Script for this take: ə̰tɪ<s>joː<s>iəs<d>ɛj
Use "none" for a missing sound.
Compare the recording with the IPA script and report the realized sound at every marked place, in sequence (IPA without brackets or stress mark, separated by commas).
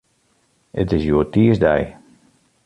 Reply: s, t, d